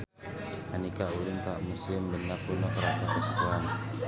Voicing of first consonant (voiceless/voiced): voiced